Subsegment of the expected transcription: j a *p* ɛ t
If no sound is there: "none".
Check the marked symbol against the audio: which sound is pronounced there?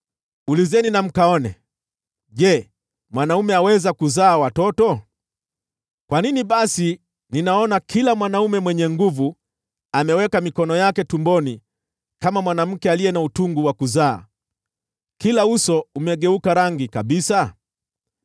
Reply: k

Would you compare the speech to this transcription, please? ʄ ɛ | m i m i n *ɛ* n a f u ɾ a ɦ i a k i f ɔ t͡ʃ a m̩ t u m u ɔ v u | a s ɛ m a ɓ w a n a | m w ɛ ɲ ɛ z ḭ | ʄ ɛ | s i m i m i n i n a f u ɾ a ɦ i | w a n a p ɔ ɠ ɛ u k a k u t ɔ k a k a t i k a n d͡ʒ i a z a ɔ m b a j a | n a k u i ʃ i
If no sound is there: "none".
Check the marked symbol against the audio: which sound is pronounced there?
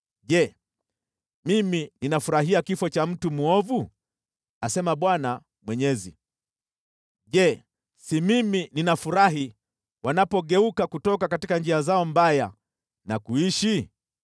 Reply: i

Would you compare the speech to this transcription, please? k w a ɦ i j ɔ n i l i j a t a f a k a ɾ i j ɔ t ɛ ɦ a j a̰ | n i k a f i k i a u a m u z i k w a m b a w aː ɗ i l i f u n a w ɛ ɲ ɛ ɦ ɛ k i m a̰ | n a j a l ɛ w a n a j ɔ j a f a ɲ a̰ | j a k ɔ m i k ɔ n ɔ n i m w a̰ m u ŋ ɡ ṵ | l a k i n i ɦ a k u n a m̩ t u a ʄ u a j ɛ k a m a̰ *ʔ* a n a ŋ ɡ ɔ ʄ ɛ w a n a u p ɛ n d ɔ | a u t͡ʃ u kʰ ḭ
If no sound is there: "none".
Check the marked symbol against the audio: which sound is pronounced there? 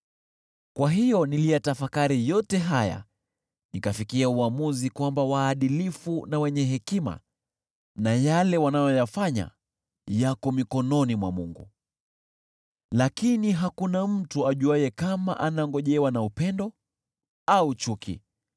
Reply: ʔ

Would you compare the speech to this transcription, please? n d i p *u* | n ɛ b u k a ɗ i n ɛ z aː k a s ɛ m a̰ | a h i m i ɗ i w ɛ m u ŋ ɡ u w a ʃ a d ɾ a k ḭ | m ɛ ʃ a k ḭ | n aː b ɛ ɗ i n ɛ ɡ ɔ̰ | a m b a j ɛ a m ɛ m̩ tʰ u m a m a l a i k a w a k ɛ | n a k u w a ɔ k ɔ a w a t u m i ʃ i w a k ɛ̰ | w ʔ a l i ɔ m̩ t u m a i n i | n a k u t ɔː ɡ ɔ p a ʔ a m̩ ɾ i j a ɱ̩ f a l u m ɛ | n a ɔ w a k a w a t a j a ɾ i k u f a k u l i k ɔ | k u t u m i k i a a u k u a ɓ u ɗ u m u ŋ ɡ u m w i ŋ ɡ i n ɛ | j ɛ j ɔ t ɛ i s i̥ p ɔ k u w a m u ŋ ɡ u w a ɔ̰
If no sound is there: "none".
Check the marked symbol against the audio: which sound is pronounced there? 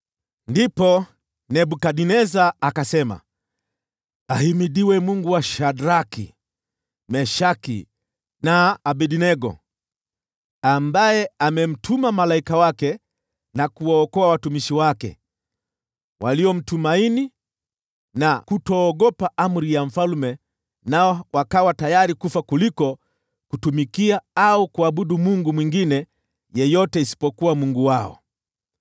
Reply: ɔ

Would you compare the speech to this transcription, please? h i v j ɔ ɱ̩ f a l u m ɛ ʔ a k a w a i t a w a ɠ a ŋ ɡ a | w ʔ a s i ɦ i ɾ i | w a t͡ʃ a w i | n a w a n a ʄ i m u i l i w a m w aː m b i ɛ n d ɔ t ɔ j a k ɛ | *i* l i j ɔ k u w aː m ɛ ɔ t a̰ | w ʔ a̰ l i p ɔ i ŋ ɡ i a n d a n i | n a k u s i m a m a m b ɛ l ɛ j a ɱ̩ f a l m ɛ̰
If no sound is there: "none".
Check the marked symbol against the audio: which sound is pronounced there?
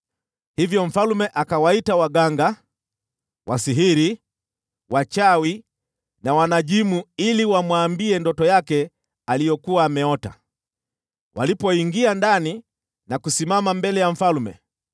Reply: a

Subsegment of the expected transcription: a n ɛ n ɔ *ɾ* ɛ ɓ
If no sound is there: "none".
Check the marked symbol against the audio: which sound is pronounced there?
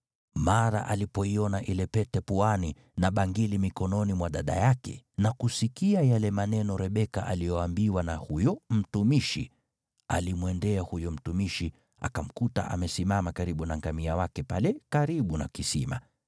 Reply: ɾ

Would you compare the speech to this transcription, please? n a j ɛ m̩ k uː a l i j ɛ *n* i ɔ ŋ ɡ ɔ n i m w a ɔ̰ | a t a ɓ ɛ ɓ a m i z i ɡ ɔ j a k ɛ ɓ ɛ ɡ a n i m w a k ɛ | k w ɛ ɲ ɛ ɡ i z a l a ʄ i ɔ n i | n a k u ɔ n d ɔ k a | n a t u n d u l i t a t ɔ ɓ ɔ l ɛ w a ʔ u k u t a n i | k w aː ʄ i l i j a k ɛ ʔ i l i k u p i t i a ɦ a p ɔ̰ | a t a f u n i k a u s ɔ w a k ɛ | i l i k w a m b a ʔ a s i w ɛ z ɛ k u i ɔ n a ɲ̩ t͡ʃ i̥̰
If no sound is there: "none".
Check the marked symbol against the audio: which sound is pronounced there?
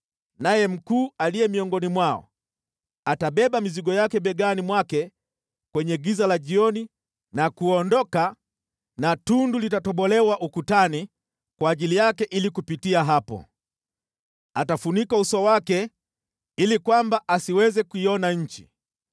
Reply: m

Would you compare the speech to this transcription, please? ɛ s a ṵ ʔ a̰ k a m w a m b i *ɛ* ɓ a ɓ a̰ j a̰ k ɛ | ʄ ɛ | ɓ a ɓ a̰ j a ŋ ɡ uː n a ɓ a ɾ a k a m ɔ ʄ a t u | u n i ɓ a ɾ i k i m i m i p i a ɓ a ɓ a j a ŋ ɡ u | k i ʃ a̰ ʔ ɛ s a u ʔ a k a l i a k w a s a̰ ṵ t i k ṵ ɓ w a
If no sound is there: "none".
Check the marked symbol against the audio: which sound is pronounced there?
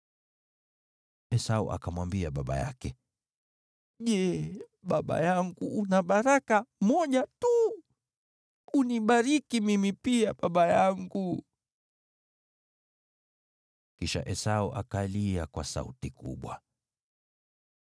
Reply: a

